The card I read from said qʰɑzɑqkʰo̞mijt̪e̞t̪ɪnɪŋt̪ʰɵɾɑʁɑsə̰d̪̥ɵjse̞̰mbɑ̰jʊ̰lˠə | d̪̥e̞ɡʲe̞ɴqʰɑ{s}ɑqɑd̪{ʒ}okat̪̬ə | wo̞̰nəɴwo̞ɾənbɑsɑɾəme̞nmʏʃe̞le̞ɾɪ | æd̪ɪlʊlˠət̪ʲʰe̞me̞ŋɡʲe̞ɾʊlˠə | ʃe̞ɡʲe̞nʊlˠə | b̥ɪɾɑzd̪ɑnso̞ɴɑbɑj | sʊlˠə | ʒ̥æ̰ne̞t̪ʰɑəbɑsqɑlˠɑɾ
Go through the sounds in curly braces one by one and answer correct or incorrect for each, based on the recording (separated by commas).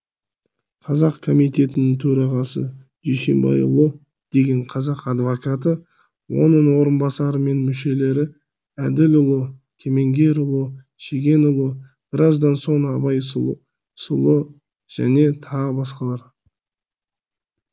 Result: incorrect, incorrect